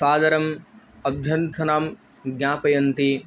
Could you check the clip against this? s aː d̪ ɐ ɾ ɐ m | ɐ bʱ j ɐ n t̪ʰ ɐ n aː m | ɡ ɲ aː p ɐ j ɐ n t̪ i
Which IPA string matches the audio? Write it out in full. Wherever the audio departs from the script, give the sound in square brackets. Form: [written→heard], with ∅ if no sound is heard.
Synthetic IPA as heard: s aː d̪ ɐ ɾ ɐ m | ɐ bʱ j ɐ n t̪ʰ ɐ n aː m | ɡ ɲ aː p ɐ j ɐ n t̪ i